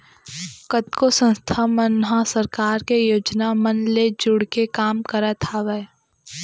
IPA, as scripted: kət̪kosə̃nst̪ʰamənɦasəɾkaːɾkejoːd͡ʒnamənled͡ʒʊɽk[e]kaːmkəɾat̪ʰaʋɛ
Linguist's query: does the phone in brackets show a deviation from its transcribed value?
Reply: no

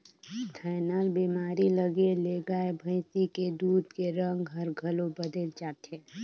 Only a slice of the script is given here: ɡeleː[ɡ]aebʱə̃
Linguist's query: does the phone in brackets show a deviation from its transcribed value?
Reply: no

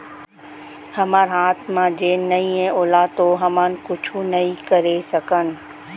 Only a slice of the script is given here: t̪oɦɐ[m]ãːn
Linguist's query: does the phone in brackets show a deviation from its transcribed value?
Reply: no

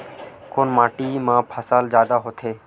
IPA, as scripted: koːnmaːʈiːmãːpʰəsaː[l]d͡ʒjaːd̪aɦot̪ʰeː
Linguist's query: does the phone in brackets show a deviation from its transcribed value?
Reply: no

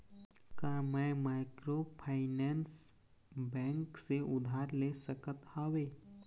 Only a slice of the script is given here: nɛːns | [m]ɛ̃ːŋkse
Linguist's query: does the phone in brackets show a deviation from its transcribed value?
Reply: yes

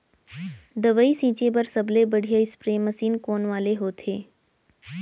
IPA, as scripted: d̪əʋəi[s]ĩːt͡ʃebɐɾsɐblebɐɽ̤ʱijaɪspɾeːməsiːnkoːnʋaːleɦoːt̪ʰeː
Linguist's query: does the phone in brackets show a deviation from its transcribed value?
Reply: no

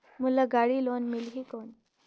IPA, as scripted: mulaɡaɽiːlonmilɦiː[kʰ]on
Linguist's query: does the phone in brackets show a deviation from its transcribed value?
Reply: yes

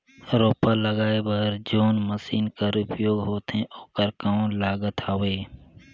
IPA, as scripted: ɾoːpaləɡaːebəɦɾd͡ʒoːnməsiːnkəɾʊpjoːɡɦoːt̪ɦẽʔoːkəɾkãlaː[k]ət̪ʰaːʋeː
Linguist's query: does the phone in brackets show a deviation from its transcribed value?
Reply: yes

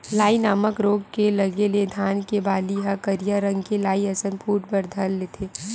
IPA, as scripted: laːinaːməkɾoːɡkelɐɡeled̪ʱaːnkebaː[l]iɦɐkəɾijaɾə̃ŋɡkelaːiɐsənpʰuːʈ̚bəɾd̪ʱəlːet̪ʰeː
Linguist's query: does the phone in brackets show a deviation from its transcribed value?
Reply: no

